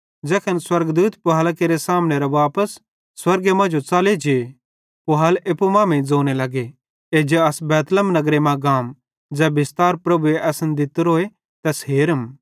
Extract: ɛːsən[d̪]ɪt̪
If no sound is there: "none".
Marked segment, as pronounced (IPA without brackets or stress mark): d̪